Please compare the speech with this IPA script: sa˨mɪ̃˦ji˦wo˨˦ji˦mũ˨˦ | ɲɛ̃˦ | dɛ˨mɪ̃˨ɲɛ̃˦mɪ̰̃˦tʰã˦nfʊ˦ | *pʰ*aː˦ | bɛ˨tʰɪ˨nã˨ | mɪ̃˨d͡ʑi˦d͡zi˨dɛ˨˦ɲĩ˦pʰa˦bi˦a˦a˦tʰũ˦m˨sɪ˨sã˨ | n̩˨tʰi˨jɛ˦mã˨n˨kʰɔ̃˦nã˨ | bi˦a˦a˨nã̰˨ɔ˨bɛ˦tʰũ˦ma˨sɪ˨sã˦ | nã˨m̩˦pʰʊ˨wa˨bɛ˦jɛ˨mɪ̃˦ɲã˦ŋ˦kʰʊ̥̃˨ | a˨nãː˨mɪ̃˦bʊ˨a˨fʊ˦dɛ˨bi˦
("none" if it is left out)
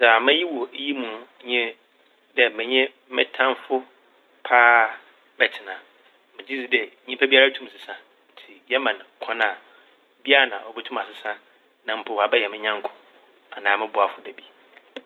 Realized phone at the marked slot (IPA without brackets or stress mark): pʰ